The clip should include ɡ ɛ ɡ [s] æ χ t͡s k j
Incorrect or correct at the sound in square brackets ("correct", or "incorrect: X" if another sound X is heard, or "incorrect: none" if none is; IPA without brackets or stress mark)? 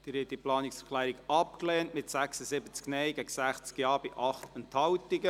correct